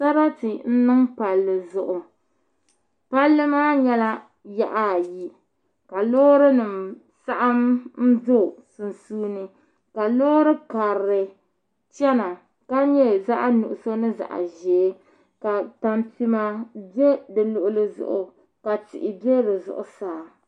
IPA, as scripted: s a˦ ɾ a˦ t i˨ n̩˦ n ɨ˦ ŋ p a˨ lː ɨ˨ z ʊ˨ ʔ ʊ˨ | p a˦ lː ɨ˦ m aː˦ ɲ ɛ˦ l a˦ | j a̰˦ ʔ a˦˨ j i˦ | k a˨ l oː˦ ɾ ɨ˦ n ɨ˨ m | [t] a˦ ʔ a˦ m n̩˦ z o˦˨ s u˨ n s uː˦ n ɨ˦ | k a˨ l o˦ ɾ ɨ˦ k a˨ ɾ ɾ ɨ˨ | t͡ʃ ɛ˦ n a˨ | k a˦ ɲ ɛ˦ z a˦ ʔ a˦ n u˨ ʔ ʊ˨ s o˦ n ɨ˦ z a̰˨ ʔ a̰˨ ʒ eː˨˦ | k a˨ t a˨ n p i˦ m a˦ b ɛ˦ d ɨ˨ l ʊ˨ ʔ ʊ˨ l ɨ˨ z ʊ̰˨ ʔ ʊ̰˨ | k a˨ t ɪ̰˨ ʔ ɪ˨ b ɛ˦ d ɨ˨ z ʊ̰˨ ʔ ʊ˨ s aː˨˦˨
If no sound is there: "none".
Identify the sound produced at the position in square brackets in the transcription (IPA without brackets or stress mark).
s